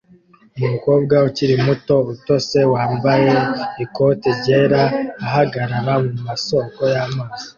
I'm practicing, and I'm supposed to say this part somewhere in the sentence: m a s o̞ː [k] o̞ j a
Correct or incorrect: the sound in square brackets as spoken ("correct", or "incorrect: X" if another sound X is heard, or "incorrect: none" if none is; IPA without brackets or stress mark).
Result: correct